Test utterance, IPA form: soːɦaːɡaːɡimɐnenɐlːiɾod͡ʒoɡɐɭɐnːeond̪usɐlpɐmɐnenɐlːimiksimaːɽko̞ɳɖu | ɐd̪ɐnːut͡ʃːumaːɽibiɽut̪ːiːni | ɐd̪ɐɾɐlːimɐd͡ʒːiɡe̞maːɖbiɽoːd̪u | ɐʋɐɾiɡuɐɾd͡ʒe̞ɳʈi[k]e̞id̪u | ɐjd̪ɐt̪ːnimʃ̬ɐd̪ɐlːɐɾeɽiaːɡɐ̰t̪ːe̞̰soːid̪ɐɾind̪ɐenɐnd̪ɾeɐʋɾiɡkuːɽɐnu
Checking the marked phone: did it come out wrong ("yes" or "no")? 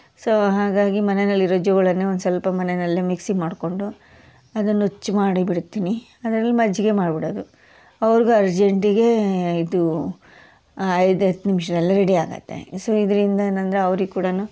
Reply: yes